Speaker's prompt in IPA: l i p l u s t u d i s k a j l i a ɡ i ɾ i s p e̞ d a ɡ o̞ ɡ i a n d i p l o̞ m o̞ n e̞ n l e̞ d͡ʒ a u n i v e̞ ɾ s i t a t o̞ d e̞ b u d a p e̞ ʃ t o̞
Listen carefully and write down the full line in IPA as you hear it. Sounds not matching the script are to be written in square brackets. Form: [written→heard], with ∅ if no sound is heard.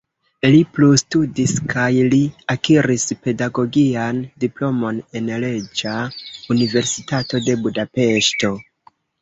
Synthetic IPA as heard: l i p l u s t u d i s k a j l i a [ɡ→k] i ɾ i s p e̞ d a ɡ o̞ ɡ i a n d i p l o̞ m o̞ n e̞ n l e̞ d͡ʒ a u n i v e̞ ɾ s i t a t o̞ d e̞ b u d a p e̞ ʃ t o̞